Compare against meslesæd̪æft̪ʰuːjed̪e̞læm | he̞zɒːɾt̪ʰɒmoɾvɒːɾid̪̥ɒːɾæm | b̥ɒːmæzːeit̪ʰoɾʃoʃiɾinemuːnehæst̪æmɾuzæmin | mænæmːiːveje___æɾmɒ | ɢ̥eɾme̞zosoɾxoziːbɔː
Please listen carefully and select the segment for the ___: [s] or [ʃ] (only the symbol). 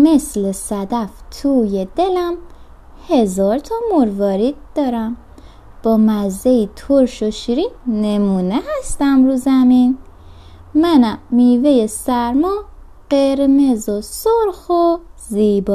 s